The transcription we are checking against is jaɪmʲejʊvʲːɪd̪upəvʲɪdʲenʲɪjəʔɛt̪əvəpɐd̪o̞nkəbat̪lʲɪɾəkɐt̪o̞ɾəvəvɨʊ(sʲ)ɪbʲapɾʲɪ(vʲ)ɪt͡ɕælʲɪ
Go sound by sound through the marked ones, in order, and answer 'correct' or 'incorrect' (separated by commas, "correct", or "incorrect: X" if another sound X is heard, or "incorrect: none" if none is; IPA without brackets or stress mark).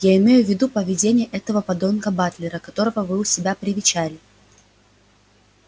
correct, correct